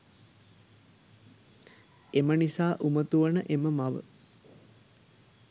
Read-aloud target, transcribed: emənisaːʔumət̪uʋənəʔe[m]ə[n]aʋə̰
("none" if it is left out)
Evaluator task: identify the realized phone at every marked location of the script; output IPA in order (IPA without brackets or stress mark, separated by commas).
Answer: m, m